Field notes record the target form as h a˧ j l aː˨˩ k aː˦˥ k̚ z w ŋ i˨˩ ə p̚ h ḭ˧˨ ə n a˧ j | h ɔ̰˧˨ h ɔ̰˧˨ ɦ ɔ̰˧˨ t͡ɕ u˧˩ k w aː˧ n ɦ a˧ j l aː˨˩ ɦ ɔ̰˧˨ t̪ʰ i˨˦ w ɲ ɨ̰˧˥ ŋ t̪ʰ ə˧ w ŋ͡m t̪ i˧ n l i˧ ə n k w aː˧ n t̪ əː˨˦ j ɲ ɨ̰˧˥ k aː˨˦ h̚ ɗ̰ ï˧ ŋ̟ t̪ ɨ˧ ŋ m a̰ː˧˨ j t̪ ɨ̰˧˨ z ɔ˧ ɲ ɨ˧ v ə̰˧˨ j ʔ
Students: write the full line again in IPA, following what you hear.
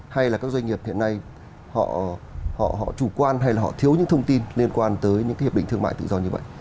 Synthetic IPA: h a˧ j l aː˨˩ k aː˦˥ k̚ z w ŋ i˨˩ ə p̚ h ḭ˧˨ ə n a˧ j | h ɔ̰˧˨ h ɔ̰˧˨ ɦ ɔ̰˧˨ t͡ɕ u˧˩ k w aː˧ n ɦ a˧ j l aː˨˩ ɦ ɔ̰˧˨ t̪ʰ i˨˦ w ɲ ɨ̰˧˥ ŋ t̪ʰ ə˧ w ŋ͡m t̪ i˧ n l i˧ ə n k w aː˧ n t̪ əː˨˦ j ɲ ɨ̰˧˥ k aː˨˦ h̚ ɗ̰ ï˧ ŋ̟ t̪ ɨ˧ ŋ m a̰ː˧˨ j t̪ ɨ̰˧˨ z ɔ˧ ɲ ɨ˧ v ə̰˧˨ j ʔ

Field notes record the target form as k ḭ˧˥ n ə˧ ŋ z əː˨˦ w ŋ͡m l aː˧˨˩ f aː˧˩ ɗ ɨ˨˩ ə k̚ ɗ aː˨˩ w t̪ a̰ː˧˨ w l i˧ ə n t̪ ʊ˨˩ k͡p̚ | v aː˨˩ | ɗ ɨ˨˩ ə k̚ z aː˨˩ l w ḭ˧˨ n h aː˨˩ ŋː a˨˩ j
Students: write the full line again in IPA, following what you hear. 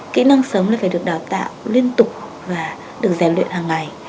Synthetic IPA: k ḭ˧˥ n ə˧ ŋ s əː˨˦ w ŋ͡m l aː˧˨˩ f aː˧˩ ɗ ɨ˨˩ ə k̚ ɗ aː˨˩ w t̪ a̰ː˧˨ w l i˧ ə n t̪ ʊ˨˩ k͡p̚ | v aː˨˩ | ɗ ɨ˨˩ ə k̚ z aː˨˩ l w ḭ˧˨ n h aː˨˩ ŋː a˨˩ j

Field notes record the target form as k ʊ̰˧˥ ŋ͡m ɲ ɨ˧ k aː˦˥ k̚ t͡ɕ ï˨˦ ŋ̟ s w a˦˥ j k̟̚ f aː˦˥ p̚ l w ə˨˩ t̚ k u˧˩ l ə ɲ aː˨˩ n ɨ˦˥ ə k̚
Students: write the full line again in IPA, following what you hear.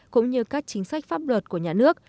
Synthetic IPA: k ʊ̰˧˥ ŋ͡m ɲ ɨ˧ k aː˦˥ k̚ t͡ɕ ï˨˦ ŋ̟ s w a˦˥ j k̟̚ f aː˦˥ p̚ l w ə˨˩ t̚ k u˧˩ ə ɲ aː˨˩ n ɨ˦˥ ə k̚

